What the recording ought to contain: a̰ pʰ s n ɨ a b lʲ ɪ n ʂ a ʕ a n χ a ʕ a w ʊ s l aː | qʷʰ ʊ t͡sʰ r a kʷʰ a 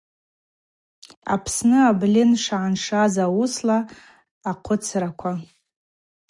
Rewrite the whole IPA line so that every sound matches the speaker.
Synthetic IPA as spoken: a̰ pʰ s n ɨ a b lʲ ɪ n ʂ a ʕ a n ʂ a z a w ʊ s l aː | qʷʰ ʊ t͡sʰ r a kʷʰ a